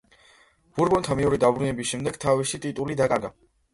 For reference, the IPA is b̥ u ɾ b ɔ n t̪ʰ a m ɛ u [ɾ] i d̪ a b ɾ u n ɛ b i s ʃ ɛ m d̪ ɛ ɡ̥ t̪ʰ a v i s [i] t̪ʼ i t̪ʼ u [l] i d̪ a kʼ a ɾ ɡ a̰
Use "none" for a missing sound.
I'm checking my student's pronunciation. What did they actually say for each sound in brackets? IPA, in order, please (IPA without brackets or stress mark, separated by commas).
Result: ɾ, i, l